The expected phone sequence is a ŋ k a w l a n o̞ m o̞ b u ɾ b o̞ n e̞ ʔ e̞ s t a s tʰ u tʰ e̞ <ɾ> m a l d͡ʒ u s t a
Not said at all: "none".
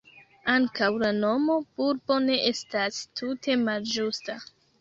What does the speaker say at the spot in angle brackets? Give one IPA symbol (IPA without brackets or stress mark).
none